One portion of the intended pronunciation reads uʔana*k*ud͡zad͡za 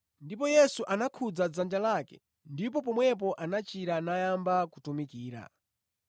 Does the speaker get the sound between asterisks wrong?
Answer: yes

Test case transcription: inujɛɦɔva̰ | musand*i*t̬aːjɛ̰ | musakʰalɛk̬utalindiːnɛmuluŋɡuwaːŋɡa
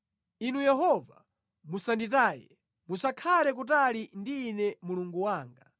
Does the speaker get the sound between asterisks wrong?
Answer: no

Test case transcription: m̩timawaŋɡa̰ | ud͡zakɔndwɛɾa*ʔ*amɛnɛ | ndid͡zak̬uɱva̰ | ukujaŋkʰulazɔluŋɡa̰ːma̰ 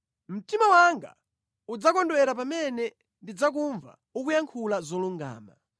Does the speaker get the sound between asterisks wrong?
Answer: yes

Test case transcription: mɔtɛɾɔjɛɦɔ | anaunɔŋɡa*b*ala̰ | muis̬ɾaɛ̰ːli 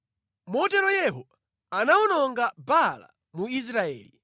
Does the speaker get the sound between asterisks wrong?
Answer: no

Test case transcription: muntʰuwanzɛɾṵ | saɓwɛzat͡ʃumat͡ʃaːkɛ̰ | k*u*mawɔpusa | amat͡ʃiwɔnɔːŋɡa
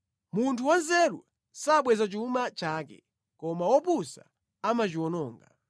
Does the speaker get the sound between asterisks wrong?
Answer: yes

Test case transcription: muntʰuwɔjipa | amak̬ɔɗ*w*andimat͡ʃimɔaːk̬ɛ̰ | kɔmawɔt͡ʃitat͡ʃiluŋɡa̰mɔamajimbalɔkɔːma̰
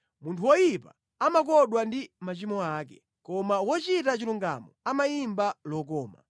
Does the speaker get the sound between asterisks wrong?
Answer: no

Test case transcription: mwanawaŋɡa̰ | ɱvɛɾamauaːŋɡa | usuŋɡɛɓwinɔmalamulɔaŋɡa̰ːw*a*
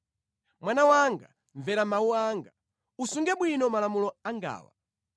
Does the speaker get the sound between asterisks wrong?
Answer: no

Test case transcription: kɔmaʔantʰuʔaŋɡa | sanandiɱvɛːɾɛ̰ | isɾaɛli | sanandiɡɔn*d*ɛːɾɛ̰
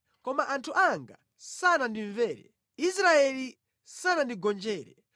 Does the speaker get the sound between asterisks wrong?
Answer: yes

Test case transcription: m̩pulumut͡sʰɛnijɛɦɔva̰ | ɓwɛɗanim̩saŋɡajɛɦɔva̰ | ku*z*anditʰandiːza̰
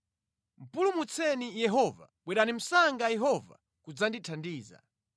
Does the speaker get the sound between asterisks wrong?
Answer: yes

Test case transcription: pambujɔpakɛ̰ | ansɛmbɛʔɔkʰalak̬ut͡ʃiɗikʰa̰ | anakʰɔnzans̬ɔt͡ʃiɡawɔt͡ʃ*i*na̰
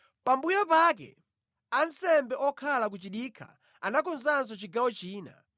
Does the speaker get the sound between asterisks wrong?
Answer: yes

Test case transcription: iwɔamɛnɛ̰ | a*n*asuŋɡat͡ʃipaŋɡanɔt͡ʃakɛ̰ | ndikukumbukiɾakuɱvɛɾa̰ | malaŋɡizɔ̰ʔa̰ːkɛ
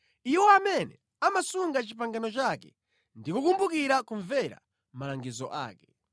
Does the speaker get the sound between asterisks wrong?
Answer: yes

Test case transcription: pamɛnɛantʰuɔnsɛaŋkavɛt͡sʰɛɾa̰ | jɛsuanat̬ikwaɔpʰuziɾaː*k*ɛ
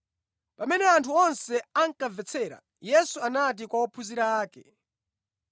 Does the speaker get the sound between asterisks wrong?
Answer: no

